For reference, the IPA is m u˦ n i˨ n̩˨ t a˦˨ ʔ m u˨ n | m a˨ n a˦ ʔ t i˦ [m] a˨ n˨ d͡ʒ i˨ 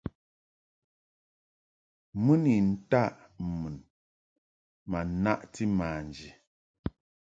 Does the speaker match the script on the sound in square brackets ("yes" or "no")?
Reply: yes